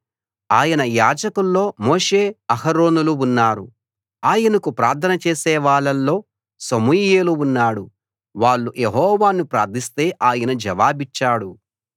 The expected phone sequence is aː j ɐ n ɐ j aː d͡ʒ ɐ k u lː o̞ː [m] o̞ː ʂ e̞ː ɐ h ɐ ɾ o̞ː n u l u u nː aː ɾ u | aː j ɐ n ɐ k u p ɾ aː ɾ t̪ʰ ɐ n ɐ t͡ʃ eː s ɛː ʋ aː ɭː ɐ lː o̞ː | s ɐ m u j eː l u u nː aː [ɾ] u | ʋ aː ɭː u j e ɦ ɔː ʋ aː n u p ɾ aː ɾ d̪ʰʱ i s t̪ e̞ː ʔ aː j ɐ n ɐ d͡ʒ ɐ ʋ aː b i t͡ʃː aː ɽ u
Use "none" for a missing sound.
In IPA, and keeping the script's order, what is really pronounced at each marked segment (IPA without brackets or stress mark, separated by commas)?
m, ɽ